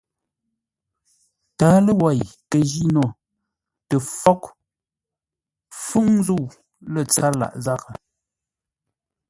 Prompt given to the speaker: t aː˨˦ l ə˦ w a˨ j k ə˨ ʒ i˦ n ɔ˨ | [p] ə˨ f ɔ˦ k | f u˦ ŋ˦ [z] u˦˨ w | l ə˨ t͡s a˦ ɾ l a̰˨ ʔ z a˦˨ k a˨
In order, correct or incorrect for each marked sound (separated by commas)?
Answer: incorrect, correct